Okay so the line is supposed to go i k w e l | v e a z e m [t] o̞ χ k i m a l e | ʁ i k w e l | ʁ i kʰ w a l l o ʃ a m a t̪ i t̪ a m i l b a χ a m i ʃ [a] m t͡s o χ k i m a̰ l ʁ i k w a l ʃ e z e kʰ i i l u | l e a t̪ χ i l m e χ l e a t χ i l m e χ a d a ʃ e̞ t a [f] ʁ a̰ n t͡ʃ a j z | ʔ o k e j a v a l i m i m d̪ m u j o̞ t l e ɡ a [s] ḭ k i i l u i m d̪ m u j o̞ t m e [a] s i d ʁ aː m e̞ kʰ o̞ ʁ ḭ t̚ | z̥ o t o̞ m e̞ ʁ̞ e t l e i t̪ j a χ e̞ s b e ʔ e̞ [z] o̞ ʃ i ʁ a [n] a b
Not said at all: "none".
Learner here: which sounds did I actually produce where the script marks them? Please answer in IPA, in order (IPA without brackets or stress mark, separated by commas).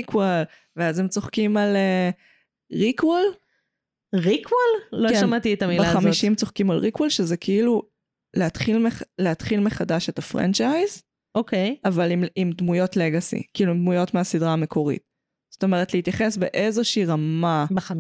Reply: t͡s, i, f, s, a, z, m